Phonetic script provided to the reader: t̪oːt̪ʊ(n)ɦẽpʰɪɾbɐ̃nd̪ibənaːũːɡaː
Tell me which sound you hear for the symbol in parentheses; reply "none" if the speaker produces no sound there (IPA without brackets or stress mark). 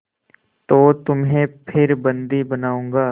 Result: m